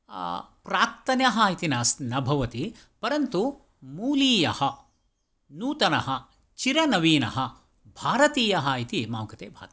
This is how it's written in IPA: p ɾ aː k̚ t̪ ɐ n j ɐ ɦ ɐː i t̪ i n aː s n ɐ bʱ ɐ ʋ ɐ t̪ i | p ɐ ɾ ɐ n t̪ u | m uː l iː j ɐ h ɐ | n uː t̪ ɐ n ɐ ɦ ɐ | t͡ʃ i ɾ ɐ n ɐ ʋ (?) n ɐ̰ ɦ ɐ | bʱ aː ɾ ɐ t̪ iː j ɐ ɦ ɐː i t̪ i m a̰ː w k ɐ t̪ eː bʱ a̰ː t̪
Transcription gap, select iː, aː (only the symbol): iː